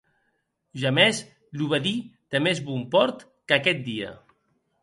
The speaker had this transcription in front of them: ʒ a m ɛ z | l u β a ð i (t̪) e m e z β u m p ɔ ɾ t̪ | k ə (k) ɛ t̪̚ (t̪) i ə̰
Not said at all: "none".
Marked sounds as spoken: t̪, k, d̪

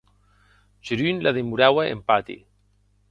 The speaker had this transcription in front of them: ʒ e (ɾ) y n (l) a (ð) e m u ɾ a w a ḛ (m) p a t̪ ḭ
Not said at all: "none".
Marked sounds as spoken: ɾ, l, ð, m

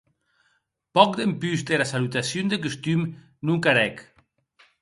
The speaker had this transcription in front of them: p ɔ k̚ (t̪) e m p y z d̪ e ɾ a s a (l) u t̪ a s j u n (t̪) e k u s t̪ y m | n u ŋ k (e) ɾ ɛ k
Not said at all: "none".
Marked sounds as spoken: d̪, l, d̪, a

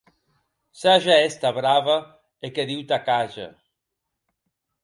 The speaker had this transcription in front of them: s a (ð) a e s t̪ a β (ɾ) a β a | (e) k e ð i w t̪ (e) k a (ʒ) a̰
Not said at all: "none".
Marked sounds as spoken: ʒ, ɾ, e, a, ʒ

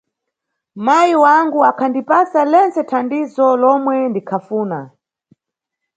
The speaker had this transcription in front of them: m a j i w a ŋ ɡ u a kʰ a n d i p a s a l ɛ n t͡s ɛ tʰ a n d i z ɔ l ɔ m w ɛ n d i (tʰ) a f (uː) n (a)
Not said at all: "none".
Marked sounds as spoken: kʰ, uː, a

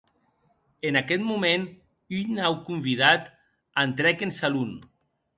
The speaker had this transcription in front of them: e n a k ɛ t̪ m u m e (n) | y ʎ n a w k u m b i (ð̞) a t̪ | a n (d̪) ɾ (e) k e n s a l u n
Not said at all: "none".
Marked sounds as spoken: n, ð̞, t̪, ɛ

